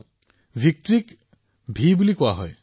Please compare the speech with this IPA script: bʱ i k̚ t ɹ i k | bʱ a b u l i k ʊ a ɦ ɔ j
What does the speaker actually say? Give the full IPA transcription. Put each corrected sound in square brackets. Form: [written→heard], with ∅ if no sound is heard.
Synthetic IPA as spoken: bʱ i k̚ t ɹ i k | bʱ [a→i] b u l i k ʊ a ɦ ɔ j

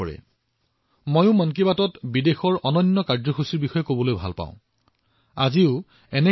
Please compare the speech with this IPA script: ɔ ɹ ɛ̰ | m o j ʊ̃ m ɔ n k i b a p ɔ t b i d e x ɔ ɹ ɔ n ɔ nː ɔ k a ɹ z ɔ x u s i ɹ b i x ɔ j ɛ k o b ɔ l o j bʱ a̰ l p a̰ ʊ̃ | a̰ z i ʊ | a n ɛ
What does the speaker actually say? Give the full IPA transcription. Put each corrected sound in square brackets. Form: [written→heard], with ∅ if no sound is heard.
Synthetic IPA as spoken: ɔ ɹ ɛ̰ | m o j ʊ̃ m ɔ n k i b a [p→t] ɔ t b i d e x ɔ ɹ ɔ n ɔ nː ɔ k a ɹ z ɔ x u s i ɹ b i x ɔ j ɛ k o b ɔ l o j bʱ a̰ l p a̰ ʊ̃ | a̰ z i ʊ | [a→ɛ] n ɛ

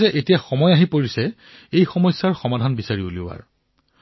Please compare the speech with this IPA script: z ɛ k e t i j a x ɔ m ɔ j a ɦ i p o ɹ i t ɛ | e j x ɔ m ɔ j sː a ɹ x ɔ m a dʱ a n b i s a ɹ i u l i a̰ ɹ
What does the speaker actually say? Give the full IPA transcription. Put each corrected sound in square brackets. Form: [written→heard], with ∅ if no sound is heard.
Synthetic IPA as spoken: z ɛ [k→ʔ] e t i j a x ɔ m ɔ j a ɦ i p o ɹ i [t→s] ɛ | e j x ɔ m ɔ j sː a ɹ x ɔ m a dʱ a n b i s a ɹ i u l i a̰ ɹ

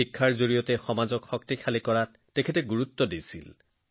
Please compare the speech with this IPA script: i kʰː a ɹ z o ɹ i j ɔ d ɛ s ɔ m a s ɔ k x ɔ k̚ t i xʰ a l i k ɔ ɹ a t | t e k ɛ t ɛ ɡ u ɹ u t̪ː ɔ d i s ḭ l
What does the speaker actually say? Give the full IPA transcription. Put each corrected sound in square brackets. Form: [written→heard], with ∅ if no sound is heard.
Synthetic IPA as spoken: i kʰː a ɹ z o ɹ i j ɔ [d→t] ɛ [s→x] ɔ m a [s→z] ɔ k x ɔ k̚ t i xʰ a l i k ɔ ɹ a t | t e [k→kʰ] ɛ t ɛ ɡ u ɹ u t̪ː ɔ d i s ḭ l

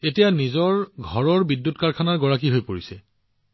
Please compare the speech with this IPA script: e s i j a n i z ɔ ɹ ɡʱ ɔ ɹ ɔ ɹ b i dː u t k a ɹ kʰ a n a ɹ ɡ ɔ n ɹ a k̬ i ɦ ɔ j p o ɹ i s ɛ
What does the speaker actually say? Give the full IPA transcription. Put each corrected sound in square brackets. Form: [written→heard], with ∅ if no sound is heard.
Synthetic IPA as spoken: e [s→t] i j a n i z ɔ ɹ ɡʱ ɔ ɹ ɔ ɹ b i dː u t k a ɹ kʰ a n a ɹ ɡ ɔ [n→∅] ɹ a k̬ i ɦ [ɔ→o] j p o ɹ i s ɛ

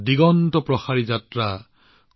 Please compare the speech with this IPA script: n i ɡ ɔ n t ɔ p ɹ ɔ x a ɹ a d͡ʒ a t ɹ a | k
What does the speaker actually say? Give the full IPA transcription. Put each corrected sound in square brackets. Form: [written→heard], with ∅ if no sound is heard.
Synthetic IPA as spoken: [n→d] i ɡ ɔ n t ɔ p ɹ ɔ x a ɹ [a→i] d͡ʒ a t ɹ a | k

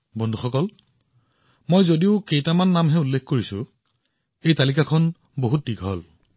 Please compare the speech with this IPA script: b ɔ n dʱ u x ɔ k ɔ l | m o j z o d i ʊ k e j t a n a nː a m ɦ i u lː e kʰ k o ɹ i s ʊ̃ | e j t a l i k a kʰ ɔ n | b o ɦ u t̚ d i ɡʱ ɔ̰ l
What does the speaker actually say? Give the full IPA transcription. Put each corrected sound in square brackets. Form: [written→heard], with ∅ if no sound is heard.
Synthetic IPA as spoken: b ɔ n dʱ u x ɔ k ɔ l | m o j z o d i ʊ k e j t a [n→m] a nː a m ɦ [i→ɛ] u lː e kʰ k o ɹ i s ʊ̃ | e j t a l i k a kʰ ɔ n | b o ɦ u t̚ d i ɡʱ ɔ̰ l

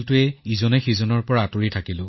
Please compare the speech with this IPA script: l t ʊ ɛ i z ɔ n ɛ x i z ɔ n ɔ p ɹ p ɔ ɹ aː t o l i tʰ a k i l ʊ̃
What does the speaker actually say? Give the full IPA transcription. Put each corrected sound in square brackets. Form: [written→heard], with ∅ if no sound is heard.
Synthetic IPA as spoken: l t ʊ ɛ i z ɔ n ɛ x i z ɔ n ɔ [p→∅] ɹ p ɔ ɹ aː t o [l→ɹ] i tʰ a k i l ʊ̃

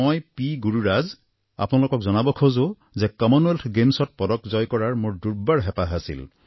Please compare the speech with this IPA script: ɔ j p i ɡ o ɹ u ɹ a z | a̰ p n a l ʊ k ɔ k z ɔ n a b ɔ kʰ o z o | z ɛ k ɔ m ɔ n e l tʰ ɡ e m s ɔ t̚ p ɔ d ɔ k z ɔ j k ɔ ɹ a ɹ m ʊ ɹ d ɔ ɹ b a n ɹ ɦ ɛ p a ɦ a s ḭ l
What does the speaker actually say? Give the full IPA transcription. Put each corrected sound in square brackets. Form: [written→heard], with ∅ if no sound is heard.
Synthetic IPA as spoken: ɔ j p i ɡ [o→u] ɹ u ɹ a z | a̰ p n a l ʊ k ɔ k z ɔ n a b ɔ kʰ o z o | z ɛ k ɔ m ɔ n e l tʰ ɡ e m s ɔ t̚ p ɔ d ɔ k z ɔ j k ɔ ɹ a ɹ m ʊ ɹ d [ɔ→u] ɹ b a [n→∅] ɹ ɦ ɛ p a ɦ a s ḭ l

